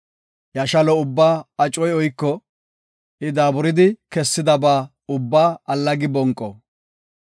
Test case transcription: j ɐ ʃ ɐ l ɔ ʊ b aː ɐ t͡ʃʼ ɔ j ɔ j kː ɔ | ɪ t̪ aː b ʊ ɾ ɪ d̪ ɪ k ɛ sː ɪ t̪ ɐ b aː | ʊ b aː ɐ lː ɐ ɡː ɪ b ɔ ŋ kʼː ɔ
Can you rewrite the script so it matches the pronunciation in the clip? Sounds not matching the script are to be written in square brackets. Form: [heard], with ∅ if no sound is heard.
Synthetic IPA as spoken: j ɐ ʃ ɐ l ɔ ʊ [bː] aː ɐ t͡ʃʼ ɔ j ɔ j kː ɔ | ɪ [d̪] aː b ʊ ɾ ɪ d̪ ɪ k ɛ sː ɪ [d̪] ɐ b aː | ʊ [bː] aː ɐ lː ɐ [ɡ] ɪ b ɔ ŋ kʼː ɔ